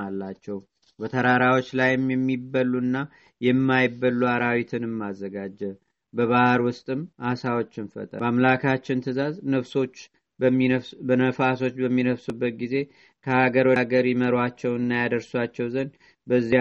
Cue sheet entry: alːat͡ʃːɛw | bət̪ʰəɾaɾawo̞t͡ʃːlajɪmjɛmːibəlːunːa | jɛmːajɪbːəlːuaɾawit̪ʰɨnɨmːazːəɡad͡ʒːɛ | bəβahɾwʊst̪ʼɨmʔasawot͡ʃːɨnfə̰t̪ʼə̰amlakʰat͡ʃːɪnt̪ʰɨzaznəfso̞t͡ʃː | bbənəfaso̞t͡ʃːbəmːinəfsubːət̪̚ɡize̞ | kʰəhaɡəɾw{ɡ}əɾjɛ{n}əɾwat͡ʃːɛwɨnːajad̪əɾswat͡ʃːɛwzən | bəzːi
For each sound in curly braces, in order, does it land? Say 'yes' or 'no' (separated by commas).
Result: yes, no